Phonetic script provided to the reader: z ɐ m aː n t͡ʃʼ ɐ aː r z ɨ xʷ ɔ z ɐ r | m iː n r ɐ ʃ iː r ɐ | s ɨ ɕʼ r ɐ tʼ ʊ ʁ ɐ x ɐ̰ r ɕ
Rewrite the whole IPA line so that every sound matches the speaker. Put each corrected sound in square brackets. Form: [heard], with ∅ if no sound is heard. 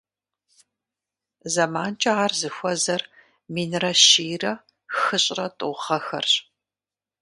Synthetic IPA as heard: z ɐ m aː n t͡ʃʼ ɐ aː r z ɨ xʷ ɔ z ɐ r | m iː n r ɐ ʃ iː r ɐ | [x] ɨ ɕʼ r ɐ tʼ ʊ ʁ ɐ x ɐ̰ r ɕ